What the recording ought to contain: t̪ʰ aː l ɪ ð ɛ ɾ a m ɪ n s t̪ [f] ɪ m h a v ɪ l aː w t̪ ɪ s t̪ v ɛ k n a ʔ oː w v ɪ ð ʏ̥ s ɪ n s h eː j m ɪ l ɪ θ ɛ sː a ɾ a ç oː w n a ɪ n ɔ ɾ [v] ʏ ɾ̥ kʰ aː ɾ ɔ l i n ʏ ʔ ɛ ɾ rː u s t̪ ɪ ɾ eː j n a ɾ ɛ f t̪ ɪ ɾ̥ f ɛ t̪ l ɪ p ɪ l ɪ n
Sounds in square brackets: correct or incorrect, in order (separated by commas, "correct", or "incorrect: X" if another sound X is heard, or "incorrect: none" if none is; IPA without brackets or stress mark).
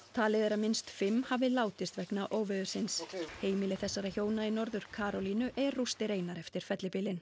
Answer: correct, incorrect: ð